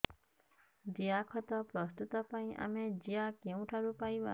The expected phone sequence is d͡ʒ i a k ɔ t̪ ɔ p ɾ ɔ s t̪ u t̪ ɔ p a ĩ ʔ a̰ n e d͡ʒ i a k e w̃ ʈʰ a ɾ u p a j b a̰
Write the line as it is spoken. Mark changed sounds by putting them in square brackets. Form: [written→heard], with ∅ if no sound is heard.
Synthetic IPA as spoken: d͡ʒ i a [k→kʰ] ɔ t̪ ɔ p ɾ ɔ s t̪ u t̪ ɔ p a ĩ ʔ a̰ [n→m] e d͡ʒ i a k e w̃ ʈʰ a ɾ u p a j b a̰